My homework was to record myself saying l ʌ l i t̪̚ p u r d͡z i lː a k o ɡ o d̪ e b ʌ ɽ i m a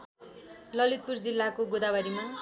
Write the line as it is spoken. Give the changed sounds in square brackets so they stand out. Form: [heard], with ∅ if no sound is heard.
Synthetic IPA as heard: l ʌ l i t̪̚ p u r d͡z i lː a k o ɡ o d̪ [a] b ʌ [ɾ] i m a